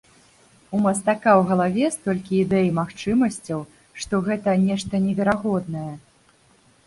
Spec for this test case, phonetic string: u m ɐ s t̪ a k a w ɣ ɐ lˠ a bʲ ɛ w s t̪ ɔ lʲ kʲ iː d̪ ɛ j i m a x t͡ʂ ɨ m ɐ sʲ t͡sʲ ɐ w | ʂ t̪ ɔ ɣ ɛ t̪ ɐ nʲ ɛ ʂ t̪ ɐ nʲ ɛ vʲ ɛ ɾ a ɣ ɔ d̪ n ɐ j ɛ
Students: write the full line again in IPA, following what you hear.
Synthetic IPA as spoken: u m ɐ s t̪ a k a w ɣ ɐ lˠ a vʲ ɛ s t̪ ɔ lʲ kʲ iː d̪ ɛ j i m a x t͡ʂ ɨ m ɐ sʲ t͡sʲ ɐ w | ʂ t̪ ɔ ɣ ɛ t̪ ɐ nʲ ɛ ʂ t̪ ɐ nʲ ɛ vʲ ɛ ɾ a ɣ ɔ d̪ n ɐ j ɛ